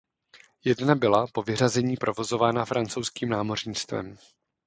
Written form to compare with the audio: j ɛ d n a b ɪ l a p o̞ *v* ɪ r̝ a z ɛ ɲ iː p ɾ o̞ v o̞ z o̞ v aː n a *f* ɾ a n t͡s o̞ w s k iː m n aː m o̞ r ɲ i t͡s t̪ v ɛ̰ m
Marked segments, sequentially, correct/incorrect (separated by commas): correct, correct